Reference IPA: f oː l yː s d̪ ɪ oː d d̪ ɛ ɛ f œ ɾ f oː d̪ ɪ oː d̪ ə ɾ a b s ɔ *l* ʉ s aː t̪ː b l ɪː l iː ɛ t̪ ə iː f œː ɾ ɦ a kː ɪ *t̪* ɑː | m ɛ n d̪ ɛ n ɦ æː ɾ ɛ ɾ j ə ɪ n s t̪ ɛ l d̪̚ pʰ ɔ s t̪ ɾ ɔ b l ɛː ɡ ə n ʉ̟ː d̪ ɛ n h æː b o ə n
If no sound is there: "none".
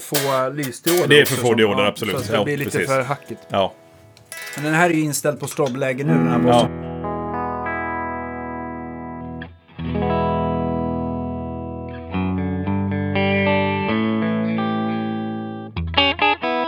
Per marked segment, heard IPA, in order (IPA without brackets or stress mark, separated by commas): l, t̪